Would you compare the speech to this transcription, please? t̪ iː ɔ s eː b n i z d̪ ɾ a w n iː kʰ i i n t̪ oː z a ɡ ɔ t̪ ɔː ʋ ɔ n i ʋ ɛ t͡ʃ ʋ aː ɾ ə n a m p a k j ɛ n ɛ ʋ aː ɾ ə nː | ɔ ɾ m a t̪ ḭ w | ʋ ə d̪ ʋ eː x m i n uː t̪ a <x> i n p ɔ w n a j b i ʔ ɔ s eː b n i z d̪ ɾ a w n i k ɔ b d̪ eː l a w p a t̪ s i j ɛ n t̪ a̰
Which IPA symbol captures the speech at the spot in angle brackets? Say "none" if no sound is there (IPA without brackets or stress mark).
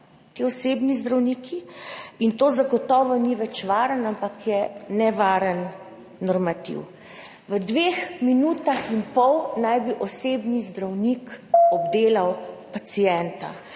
x